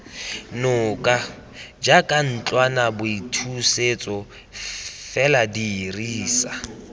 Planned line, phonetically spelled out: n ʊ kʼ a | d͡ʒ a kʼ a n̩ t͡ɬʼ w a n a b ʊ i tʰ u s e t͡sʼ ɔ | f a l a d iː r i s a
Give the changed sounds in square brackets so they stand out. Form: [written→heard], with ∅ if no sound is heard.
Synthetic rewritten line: n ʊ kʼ a | d͡ʒ a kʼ a n̩ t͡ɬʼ w a n a b ʊ i tʰ u s e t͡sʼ ɔ | f [a→ɛ] l a d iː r [i→iː] s a